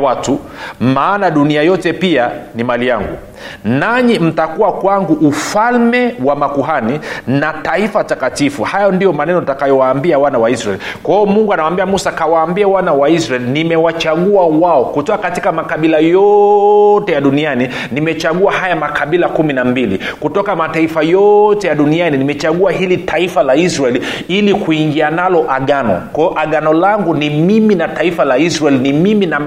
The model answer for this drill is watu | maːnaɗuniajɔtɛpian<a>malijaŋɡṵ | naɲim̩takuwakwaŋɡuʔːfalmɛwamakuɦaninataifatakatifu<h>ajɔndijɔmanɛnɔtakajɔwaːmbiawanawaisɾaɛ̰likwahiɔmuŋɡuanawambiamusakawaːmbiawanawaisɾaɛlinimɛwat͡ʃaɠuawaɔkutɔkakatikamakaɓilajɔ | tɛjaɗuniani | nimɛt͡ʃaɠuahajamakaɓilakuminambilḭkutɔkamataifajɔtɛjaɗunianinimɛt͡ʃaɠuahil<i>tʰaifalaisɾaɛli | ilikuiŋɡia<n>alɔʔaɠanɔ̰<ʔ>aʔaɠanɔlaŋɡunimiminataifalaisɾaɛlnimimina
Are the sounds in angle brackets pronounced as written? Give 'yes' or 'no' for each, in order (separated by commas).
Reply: no, yes, yes, yes, no